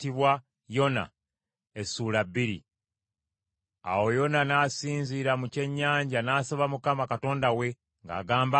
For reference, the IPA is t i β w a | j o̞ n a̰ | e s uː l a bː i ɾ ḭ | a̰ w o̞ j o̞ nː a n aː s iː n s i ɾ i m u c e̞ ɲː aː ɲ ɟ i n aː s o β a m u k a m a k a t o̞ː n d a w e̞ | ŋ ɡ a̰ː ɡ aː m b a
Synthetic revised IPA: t i β w a | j o̞ n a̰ | e s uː l a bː i ɾ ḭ | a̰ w o̞ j o̞ n a n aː s iː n z i ɾ a m u c e̞ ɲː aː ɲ ɟ a n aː s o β a m u k a m a k a t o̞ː n d a w e̞ | ŋ ɡ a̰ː ɡ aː m b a